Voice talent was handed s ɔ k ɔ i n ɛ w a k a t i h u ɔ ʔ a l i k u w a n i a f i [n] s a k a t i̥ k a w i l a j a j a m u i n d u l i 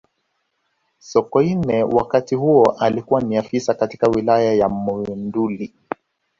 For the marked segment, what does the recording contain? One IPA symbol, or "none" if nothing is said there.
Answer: none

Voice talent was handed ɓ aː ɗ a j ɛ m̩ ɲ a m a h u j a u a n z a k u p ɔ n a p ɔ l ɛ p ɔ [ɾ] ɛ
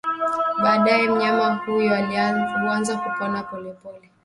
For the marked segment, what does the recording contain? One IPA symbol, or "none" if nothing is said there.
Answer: l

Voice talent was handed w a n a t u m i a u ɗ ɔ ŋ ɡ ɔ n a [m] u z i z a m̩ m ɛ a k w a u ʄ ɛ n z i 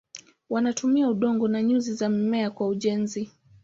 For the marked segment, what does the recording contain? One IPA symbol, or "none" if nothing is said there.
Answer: ɲ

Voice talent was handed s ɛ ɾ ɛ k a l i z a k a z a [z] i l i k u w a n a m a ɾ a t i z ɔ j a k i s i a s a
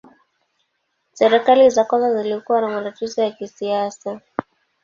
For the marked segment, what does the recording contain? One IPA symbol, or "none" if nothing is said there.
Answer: z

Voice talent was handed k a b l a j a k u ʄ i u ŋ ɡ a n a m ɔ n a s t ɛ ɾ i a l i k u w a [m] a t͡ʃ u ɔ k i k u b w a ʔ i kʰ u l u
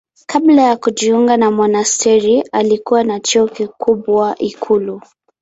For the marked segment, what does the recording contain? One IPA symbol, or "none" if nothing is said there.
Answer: n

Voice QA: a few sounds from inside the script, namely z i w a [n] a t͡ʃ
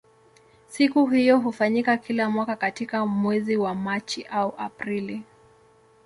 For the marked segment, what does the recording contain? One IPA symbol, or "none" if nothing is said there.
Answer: m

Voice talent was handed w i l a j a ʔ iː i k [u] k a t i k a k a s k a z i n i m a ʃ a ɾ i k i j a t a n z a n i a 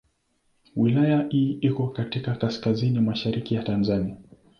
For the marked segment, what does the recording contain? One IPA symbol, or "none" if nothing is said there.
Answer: ɔ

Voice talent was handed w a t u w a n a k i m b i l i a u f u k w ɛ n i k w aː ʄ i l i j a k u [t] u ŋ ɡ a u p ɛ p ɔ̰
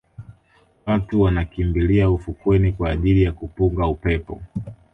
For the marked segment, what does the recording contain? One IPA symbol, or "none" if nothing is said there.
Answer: p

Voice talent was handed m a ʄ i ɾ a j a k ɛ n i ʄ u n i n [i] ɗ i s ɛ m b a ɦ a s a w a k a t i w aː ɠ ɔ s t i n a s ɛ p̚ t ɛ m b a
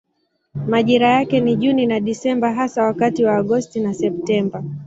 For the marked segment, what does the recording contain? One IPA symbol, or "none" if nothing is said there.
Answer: a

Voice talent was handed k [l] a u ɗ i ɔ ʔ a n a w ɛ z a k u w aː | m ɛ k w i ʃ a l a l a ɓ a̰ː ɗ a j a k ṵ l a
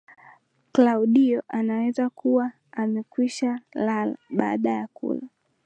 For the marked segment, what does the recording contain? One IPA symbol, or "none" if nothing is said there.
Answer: l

